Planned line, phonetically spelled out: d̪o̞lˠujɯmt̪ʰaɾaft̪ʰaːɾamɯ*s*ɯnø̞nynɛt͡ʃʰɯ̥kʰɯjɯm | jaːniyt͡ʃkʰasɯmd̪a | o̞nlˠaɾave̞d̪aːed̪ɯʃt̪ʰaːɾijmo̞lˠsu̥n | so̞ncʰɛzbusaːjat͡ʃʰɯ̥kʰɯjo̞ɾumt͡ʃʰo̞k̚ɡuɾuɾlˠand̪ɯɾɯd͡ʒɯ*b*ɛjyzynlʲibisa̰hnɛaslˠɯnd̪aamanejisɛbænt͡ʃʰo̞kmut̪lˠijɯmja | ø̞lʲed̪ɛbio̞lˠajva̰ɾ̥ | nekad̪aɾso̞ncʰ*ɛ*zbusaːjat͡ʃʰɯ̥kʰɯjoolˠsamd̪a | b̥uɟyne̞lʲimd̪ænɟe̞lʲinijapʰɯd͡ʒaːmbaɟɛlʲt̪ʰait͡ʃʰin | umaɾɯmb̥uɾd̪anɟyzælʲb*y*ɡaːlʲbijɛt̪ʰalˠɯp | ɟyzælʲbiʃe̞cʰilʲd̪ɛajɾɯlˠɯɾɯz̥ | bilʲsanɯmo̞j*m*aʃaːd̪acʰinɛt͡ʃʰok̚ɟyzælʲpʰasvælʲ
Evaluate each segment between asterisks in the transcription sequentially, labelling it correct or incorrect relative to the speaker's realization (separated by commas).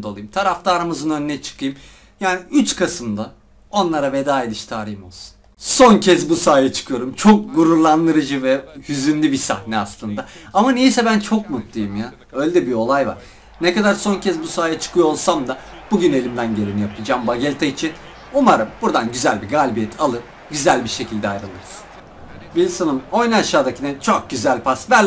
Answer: incorrect, incorrect, correct, incorrect, incorrect